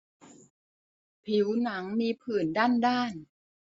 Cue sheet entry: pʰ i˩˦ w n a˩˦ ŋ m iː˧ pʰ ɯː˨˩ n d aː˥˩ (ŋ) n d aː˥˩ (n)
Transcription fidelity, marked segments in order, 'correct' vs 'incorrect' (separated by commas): incorrect, correct